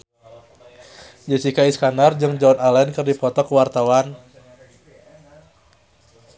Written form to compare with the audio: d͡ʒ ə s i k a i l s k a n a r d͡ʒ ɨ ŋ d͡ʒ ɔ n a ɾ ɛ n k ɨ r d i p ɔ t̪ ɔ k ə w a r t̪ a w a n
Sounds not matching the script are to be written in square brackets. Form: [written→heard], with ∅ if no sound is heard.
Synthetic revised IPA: d͡ʒ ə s i k a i [l→∅] s k a n a r d͡ʒ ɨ ŋ d͡ʒ ɔ n a [ɾ→l] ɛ n k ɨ r d i p ɔ t̪ ɔ k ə w a r t̪ a w a n